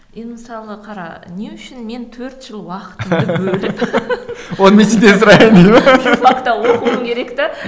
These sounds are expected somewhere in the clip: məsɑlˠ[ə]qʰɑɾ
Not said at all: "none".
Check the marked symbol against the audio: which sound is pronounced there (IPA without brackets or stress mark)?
ə